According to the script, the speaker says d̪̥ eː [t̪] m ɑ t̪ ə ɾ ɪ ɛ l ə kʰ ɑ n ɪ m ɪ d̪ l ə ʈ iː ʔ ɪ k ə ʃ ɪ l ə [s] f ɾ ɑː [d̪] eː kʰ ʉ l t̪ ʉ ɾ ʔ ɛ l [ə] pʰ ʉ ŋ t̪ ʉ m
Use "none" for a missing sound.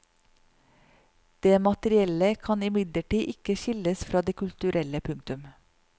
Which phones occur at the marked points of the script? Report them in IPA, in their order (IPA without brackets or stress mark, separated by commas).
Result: none, s, d̪, ə